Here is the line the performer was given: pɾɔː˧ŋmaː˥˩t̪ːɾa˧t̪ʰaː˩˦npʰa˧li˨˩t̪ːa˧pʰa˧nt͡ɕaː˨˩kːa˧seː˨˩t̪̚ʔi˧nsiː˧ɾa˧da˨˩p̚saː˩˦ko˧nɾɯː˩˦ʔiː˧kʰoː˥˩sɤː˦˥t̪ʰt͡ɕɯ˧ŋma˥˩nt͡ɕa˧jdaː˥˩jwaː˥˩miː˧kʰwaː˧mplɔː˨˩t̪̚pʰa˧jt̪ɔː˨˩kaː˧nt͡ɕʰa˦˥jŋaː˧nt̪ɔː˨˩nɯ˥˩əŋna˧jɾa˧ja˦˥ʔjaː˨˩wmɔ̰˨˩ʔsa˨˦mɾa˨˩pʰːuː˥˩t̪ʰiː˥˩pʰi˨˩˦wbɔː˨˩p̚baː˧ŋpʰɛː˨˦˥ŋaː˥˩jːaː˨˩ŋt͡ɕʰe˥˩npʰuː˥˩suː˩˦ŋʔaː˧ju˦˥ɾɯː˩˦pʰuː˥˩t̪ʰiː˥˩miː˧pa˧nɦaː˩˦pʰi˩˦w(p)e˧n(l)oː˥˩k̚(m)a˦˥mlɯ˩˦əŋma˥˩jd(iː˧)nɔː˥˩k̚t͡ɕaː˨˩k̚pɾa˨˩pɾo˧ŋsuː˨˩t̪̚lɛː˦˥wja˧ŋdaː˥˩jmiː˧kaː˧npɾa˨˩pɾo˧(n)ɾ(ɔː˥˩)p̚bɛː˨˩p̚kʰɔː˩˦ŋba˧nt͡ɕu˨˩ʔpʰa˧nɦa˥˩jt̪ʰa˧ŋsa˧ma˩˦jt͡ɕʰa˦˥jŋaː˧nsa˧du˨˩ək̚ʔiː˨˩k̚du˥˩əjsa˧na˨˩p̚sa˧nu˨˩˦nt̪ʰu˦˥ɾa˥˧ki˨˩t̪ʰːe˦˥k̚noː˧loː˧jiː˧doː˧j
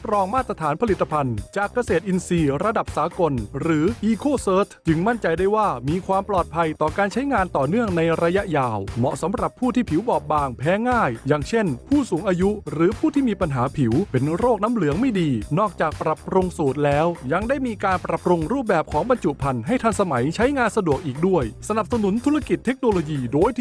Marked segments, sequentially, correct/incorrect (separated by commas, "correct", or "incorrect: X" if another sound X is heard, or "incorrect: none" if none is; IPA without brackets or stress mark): correct, incorrect: ɾ, incorrect: n, correct, incorrect: ŋ, incorrect: uː˥˩